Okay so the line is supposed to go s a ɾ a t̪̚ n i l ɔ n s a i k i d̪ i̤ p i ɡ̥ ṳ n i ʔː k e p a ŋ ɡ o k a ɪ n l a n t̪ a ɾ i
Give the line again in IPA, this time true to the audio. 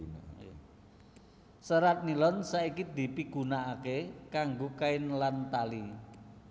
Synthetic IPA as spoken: s ə ɾ a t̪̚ n i l ɔ n s a i k i d̪ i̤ p i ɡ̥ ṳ n a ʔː k e k a ŋ ɡ o k a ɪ n l a n t̪ a l i

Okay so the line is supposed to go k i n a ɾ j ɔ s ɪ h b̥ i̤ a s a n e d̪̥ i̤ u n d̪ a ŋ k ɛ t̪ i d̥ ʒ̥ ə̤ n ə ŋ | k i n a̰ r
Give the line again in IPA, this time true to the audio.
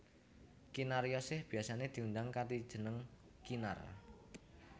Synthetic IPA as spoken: k i n a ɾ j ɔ s ɪ h b̥ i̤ a s a n e d̪̥ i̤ u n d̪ a ŋ k a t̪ i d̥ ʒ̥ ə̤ n ə ŋ | k i n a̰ r

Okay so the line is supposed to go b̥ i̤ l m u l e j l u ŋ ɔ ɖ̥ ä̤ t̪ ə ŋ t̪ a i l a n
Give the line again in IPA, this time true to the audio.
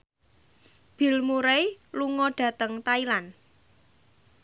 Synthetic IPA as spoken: b̥ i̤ l m u ɾ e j l u ŋ ɔ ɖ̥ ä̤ t̪ ə ŋ t̪ a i l a n

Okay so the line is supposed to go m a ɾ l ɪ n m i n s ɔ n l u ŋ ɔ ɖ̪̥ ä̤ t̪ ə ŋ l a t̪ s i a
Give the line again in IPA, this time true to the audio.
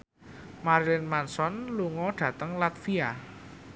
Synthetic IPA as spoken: m a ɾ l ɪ n m a n s ɔ n l u ŋ ɔ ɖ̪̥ ä̤ t̪ ə ŋ l a t̪ f i a

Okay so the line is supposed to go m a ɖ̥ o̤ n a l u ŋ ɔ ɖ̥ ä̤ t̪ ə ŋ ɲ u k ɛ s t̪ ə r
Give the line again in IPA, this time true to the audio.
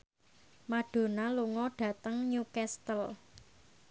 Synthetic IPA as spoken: m a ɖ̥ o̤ n a l u ŋ ɔ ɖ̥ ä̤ t̪ ə ŋ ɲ u k ɛ s t̪ ə l

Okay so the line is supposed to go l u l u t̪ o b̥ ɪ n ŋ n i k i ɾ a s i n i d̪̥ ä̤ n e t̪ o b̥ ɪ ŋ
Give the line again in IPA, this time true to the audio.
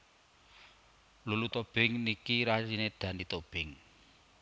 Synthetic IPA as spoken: l u l u t̪ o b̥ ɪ ŋ n i k i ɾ a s i n e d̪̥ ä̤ n i t̪ o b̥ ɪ ŋ

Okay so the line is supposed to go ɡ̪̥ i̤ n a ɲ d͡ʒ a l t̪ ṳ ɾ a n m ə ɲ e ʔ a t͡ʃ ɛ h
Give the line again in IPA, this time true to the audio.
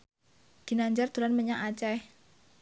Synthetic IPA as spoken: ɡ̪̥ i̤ n a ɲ d͡ʒ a r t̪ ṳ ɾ a n m ə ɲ a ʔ a t͡ʃ ɛ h

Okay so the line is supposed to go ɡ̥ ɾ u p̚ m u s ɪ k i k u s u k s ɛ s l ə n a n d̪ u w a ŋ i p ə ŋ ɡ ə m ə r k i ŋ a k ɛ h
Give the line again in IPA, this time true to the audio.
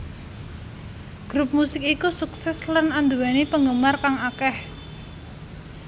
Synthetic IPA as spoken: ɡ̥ ɾ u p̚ m u s ɪ k i k u s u k s ɛ s l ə n a n d̪ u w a n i p ə ŋ ɡ ə m a r k a ŋ a k ɛ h

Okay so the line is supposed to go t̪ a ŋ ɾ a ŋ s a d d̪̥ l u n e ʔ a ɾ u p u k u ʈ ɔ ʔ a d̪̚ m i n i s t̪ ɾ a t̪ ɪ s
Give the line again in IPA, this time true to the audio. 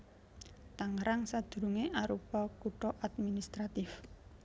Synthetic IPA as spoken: t̪ a ŋ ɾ a ŋ s a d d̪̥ ɾ u ŋ e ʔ a ɾ u p ɔ k u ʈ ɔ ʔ a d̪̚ m i n i s t̪ ɾ a t̪ ɪ f

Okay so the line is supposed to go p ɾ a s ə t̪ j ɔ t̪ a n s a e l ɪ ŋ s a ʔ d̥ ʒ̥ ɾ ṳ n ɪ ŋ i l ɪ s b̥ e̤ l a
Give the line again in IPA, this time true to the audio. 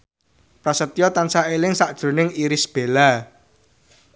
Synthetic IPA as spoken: p ɾ a s ə t̪ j ɔ t̪ a n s a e l ɪ ŋ s a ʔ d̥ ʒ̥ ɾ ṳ n ɪ ŋ i ɾ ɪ s b̥ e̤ l a

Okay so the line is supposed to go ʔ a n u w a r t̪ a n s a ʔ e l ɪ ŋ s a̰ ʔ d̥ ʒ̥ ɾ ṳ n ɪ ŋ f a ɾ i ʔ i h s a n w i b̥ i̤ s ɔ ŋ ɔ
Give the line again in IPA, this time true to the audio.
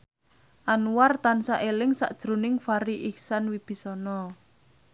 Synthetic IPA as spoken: ʔ a n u w a r t̪ a n s a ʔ e l ɪ ŋ s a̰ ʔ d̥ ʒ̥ ɾ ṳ n ɪ ŋ f a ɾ i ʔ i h s a n w i b̥ i̤ s ɔ n ɔ

